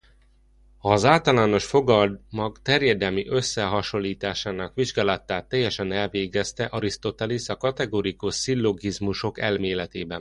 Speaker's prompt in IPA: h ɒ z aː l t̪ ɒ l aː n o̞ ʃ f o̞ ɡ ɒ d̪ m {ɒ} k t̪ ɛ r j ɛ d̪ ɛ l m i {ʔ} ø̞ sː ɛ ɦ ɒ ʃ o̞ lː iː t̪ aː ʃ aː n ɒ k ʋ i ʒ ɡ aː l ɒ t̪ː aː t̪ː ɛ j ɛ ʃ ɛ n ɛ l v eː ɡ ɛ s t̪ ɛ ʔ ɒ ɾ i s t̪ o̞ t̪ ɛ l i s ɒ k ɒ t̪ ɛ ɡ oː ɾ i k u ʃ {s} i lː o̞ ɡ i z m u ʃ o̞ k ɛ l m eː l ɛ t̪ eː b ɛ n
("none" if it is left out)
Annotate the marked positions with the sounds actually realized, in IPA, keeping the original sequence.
ɒ, ʔ, s

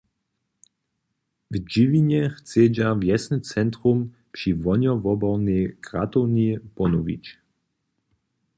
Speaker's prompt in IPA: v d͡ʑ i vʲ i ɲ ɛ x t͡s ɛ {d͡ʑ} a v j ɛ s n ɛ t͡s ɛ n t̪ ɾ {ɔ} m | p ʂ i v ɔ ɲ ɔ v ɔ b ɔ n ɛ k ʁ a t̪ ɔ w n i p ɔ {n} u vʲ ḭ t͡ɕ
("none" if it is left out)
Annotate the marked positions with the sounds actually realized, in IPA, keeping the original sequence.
d͡ʑ, u, n

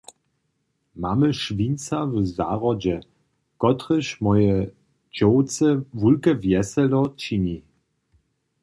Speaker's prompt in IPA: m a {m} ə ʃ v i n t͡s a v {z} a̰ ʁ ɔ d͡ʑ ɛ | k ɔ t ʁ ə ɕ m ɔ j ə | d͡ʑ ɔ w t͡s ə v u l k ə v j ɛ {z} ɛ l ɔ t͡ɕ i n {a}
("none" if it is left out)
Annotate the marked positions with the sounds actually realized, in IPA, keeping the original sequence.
m, z, s, i

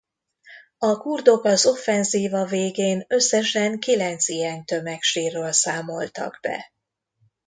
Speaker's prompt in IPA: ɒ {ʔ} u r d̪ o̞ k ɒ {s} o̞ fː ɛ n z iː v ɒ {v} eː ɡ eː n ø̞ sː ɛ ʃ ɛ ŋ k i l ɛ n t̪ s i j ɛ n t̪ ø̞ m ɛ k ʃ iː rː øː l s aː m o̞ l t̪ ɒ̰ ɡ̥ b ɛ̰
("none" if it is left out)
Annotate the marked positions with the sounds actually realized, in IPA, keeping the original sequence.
k, z, v

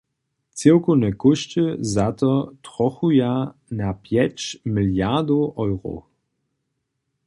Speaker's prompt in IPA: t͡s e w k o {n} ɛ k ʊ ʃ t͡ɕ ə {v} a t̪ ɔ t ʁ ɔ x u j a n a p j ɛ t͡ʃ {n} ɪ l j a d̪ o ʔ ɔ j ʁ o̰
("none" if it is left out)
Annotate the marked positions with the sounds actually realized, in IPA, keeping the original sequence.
n, z, m

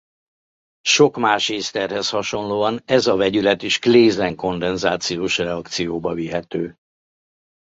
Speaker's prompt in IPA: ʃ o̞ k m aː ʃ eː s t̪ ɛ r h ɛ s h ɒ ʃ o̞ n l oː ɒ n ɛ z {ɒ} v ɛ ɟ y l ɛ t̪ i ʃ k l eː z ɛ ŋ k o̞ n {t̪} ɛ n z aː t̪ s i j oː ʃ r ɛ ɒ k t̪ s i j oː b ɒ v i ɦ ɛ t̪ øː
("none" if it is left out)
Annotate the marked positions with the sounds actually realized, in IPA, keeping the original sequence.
ɒ, d̪

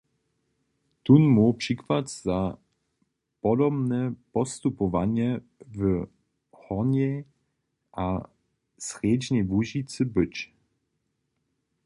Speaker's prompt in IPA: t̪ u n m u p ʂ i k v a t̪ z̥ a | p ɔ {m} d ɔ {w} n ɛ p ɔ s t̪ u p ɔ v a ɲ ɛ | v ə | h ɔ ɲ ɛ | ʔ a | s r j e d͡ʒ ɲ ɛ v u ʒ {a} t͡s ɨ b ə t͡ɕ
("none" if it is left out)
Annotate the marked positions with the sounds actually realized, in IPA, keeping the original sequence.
none, b, i

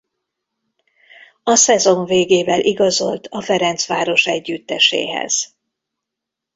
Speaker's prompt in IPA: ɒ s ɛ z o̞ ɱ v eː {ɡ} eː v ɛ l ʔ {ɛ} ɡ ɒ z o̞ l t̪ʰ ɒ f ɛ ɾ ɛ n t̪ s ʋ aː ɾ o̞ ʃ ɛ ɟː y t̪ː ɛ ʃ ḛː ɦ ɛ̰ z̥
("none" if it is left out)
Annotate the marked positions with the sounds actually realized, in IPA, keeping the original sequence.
ɡ, i

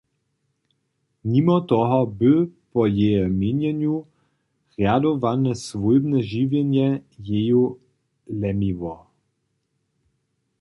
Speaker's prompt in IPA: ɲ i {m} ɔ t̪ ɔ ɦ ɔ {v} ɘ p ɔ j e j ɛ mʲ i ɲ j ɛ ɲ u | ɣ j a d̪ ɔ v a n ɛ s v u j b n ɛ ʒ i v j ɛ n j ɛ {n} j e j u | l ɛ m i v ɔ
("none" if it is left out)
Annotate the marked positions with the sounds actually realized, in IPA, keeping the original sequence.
m, b, none

